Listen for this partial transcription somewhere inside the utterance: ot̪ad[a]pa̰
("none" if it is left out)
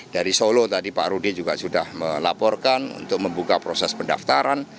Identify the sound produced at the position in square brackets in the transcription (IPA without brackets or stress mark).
i